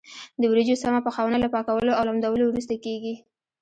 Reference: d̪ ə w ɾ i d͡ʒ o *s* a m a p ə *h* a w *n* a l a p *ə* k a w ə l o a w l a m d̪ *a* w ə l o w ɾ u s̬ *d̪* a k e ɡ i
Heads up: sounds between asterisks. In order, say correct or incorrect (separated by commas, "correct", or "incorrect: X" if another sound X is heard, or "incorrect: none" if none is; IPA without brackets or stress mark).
correct, incorrect: x, correct, incorrect: ɑ, correct, incorrect: t̪